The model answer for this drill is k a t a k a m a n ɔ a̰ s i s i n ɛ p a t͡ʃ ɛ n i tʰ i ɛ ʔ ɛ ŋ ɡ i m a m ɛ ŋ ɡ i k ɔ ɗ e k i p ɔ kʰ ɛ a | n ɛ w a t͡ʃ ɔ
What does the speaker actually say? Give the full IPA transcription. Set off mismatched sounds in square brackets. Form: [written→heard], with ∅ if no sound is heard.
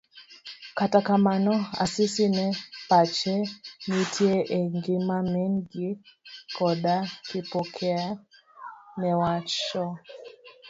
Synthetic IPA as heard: k a t a k a m a n ɔ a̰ s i s i n ɛ p a t͡ʃ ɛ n i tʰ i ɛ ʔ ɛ ŋ ɡ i m a m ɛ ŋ ɡ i k ɔ ɗ [e→a] k i p ɔ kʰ ɛ a | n ɛ w a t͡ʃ ɔ